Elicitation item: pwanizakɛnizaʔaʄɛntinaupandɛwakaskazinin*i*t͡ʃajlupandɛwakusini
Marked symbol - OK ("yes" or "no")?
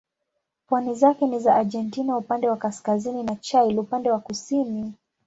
no